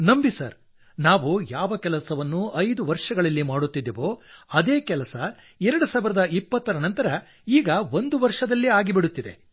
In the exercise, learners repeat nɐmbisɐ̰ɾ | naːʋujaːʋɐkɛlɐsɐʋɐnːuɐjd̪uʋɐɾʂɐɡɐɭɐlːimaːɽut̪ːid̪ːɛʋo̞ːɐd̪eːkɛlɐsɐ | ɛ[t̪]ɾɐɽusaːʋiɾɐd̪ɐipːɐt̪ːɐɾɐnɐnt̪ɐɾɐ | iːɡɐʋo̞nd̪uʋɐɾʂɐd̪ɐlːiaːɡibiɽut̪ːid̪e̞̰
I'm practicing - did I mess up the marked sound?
yes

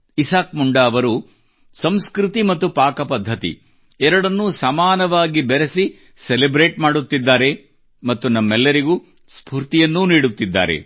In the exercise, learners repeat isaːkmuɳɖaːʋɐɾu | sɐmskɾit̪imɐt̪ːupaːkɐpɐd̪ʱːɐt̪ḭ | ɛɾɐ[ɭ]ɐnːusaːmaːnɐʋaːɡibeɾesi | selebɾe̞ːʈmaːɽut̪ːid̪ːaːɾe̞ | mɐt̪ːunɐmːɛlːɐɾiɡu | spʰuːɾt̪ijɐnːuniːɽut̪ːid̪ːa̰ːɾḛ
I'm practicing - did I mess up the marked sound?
yes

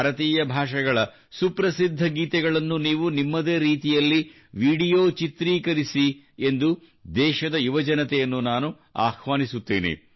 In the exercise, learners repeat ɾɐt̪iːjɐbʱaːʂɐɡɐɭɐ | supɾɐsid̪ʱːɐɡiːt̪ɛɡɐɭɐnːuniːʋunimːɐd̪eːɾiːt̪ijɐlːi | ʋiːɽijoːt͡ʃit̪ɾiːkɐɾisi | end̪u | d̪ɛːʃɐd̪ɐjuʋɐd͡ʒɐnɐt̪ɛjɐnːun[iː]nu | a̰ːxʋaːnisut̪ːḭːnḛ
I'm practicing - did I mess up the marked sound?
yes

